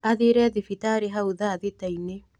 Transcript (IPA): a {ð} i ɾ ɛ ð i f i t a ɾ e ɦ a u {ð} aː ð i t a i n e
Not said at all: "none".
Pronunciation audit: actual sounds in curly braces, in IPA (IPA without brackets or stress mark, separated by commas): ð, ð